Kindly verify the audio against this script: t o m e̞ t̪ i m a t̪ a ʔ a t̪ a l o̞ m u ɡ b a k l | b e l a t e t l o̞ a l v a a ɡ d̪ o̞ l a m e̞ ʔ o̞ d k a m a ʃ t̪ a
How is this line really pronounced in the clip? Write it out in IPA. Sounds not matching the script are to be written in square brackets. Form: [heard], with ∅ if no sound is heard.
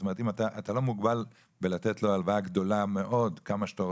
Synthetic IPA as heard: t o m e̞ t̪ i m a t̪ a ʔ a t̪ a l o̞ m u ɡ b a [∅] l | b e l a t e t l o̞ a l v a a ɡ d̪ o̞ l a m e̞ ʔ o̞ d k a m a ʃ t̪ a

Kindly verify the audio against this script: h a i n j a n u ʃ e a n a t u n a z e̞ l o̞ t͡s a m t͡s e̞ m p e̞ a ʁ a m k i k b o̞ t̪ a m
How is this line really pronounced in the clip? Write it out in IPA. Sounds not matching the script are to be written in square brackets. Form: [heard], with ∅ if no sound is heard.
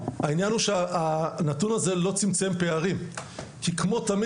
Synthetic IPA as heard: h a i n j a n u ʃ e a n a t u n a z e̞ l o̞ t͡s [i] m t͡s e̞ m p e̞ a ʁ [i] m k i k [m] o̞ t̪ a m

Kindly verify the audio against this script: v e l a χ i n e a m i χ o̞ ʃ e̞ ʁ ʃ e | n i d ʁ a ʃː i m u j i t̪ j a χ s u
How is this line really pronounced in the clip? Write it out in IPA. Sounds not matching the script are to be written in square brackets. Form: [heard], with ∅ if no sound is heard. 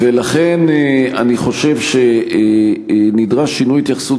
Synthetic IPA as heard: v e l a χ [e] n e a [n] i χ o̞ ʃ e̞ [v] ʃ e | n i d ʁ a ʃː i [n] u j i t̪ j a χ s u

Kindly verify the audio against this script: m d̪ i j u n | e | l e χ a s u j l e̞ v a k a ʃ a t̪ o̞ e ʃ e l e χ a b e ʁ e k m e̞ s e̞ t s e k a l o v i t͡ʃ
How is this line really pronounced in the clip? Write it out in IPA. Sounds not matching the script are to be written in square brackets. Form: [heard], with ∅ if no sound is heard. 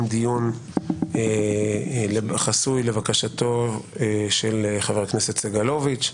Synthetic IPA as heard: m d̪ i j u n | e | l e χ a s u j l e̞ v a k a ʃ a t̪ o̞ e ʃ e l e χ a [v] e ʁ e k [n] e̞ s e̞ t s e [ɡ] a l o v i t͡ʃ

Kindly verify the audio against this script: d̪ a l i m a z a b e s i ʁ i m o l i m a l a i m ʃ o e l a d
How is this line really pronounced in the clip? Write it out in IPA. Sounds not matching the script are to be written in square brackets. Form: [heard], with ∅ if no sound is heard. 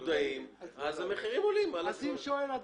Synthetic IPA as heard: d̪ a [∅] i m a z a [m] e [χ] i ʁ i m o l i m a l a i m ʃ o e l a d

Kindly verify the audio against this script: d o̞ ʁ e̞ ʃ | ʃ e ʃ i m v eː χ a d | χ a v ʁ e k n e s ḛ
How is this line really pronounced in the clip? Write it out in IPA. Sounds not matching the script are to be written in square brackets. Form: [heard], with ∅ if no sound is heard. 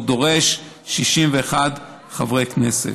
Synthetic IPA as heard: d o̞ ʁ e̞ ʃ | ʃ [i] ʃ i m v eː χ a d | χ a v ʁ e k n e s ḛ

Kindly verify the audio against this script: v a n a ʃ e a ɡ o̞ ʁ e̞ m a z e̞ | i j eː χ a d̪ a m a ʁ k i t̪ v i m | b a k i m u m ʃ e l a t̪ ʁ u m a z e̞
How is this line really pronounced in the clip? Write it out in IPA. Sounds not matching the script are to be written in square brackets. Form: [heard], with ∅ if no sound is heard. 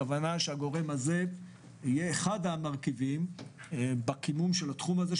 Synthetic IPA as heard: v a n a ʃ e a ɡ o̞ ʁ e̞ m a z e̞ | i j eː χ a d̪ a m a ʁ k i [∅] v i m | b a k i m u m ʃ e l a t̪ [χ] u m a z e̞

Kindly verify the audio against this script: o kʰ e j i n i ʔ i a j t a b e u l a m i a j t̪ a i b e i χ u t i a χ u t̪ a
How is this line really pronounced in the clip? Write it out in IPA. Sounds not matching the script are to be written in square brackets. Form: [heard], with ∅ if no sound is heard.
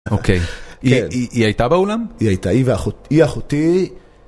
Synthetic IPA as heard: o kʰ e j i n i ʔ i a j t a b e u l a m i a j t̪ a i [v] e [a] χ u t i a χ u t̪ [i]

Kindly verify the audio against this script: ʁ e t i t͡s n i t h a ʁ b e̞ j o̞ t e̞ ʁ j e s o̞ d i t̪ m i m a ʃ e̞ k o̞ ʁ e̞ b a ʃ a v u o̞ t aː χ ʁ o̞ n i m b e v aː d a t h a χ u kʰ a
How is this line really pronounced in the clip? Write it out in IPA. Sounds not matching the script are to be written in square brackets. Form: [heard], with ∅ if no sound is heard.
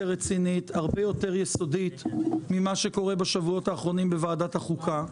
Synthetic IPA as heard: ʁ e [t͡s] i [∅] n i t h a ʁ b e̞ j o̞ t e̞ ʁ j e s o̞ d i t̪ m i m a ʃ e̞ k o̞ ʁ e̞ b a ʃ a v u o̞ t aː χ ʁ o̞ n i m b e v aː d a t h a χ u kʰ a

